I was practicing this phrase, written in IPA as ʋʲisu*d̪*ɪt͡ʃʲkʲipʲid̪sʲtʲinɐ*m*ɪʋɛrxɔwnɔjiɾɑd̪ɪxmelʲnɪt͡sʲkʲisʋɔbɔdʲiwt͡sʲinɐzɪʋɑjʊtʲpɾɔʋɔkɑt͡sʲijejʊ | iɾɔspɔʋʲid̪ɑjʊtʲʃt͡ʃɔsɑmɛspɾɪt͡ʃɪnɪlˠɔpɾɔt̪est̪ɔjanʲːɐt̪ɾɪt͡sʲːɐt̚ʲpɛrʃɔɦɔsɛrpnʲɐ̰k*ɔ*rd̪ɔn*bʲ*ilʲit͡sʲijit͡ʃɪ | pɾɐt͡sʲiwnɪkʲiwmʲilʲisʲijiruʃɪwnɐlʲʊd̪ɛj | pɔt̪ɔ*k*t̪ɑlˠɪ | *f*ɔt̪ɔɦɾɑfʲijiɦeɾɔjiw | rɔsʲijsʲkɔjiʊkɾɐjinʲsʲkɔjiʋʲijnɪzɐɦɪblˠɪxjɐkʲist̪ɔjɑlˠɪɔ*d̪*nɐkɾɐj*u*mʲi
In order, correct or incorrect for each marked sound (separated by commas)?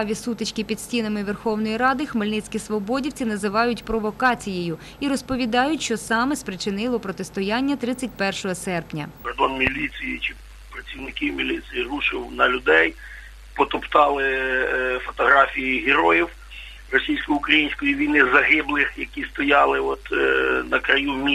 incorrect, correct, correct, incorrect, incorrect, correct, incorrect, correct